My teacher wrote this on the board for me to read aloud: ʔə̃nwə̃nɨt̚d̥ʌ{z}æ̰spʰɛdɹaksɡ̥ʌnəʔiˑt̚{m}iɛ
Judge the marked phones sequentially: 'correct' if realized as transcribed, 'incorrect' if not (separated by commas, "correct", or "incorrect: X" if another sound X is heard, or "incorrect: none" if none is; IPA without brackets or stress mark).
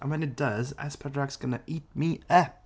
correct, correct